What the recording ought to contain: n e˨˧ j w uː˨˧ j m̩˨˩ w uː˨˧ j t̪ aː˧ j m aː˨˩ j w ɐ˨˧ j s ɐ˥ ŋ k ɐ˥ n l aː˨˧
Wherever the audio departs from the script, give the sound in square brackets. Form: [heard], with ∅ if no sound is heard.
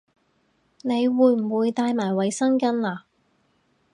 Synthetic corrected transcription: n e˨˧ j w uː˨˧ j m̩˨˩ w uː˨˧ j t̪ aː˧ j m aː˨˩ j w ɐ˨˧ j s ɐ˥ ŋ k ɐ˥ n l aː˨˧